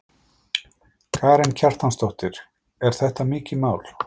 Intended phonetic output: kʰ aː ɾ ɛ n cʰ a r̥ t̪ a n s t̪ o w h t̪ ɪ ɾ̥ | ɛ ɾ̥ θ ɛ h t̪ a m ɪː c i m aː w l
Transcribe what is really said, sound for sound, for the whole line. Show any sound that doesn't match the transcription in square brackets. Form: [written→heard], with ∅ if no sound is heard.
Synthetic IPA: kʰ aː ɾ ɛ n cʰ a r̥ t̪ a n s t̪ o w h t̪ ɪ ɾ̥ | ɛ ɾ̥ θ ɛ h t̪ a m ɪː c [i→ɪ] m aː w l